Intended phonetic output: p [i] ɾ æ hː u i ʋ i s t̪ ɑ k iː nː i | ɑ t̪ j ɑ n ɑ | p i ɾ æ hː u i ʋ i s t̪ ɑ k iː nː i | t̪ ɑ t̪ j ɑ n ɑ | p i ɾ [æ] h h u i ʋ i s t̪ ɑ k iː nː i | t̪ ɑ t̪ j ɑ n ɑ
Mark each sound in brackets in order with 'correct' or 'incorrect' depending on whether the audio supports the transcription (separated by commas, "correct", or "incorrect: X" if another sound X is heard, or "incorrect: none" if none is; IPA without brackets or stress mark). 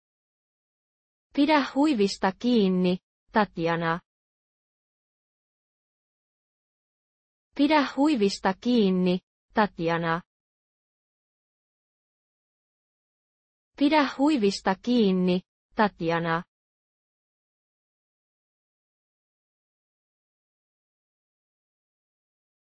correct, correct